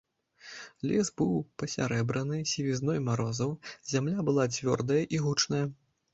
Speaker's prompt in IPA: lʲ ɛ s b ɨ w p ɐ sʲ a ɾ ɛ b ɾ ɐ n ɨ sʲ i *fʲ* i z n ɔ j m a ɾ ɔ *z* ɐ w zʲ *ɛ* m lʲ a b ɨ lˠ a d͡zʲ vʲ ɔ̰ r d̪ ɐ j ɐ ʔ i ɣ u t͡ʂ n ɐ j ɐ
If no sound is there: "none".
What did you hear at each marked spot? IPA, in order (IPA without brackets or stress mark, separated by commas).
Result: vʲ, z, a